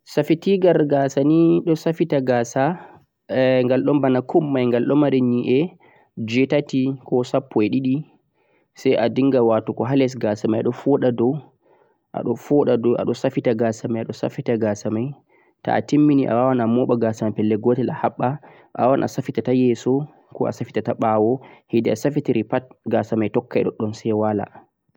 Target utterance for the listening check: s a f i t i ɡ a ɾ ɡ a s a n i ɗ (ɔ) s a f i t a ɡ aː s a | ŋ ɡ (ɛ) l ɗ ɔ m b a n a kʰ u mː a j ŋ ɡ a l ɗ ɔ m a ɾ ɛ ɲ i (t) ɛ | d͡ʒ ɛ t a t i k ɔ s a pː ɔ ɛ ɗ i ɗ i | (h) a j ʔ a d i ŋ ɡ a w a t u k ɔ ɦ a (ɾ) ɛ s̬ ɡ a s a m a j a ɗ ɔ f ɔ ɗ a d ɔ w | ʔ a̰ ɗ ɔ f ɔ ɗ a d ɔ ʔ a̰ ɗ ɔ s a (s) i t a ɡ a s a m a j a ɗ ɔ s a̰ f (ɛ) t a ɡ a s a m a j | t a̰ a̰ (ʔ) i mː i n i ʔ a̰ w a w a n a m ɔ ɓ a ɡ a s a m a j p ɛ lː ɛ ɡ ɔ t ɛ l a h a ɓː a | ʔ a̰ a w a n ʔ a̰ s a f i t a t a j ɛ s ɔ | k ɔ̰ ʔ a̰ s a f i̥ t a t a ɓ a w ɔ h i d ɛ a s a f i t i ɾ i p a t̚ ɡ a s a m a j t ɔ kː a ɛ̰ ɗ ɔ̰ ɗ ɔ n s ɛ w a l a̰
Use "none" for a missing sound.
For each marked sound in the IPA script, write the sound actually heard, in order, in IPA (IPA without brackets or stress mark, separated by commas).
ɔ, a, ʔ, s, l, f, i, t